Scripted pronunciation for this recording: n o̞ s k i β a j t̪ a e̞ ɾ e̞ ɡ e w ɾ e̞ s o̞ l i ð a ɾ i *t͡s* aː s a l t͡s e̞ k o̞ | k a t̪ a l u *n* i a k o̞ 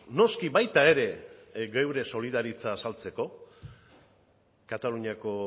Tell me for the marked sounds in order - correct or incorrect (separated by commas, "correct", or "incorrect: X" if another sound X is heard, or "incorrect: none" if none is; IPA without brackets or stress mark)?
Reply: correct, incorrect: ɲ